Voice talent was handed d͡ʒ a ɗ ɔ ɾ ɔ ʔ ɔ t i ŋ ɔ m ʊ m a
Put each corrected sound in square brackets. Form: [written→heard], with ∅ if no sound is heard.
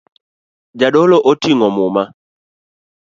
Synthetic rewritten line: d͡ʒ a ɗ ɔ [ɾ→l] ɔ ʔ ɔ t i ŋ ɔ m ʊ m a